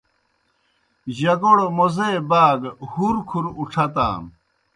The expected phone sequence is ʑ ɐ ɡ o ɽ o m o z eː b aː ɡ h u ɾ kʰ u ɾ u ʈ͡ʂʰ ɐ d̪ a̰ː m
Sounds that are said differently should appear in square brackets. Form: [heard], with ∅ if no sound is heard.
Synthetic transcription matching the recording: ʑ ɐ ɡ o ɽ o m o z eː b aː ɡ h u ɾ kʰ u ɾ u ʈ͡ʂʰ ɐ [t̪] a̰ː m